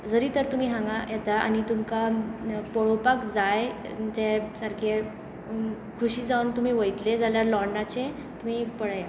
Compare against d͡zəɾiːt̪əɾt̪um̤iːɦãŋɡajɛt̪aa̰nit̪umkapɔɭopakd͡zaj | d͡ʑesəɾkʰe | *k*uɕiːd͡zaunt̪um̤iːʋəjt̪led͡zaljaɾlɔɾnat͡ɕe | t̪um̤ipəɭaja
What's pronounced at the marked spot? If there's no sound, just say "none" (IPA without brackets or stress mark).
kʰ